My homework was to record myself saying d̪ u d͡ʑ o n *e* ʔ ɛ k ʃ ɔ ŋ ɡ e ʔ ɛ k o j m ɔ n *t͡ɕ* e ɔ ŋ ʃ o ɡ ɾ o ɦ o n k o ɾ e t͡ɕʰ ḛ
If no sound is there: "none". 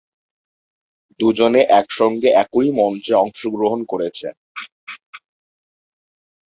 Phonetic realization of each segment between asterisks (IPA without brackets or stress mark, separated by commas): e, t͡ɕ